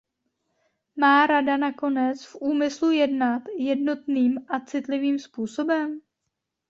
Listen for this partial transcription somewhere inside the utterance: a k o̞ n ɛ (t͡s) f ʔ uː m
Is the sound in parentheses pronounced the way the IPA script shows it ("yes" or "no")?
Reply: yes